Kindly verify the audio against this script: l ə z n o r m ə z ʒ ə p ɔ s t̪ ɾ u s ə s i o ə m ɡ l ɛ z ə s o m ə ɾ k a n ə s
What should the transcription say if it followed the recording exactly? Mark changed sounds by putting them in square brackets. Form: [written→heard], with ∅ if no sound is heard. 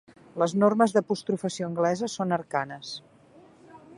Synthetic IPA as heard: l ə z n o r m ə z [ʒ→ð] ə p [ɔ→u] s t̪ ɾ u [s→f] ə s i o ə [m→ŋ] ɡ l ɛ z ə s o [m→n] ə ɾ k a n ə s